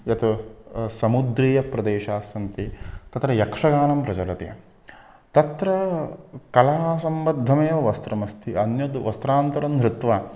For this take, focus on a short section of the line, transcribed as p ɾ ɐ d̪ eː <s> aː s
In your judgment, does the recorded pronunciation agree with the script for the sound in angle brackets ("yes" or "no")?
no